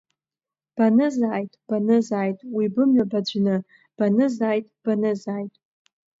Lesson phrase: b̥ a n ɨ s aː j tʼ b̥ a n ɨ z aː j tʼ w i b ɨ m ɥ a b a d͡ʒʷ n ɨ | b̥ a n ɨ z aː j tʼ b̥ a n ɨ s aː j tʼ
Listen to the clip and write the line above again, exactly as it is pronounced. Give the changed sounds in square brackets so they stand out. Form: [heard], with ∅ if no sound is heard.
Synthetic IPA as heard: b̥ a n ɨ [z] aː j tʼ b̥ a n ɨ z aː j tʼ w i b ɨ m ɥ a b a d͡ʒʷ n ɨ | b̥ a n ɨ z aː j tʼ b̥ a n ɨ [z] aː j tʼ